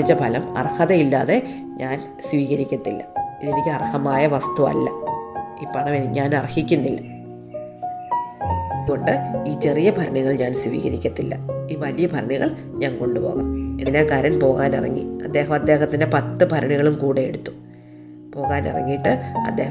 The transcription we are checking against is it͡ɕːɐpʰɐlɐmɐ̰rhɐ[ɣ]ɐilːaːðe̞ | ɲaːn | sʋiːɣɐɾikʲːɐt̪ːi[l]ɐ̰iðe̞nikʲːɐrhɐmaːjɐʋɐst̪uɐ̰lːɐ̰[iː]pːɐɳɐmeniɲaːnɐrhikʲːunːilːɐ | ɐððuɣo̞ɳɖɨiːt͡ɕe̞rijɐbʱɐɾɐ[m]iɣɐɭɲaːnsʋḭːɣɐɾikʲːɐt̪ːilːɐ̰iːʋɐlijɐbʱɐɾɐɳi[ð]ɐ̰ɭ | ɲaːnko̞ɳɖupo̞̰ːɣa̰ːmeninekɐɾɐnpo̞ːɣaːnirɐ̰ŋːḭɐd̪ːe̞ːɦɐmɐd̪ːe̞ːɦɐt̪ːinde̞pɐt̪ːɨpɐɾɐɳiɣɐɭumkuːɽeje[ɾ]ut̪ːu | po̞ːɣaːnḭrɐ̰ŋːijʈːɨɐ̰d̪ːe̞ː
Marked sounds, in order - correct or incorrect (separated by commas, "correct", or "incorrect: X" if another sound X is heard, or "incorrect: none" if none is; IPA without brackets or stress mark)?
incorrect: ð, incorrect: lː, correct, incorrect: ɳ, incorrect: ɣ, incorrect: ɽ